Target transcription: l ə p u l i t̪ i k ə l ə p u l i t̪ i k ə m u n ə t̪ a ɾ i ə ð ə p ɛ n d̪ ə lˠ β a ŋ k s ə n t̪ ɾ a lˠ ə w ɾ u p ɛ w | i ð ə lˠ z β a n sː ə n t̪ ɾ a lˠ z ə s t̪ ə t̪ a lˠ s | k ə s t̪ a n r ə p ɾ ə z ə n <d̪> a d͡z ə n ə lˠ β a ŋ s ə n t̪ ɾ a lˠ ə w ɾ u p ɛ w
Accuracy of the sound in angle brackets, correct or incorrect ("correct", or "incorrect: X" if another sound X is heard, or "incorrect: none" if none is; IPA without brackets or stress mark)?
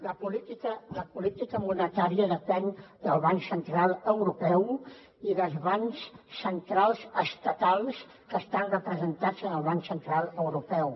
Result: incorrect: t̪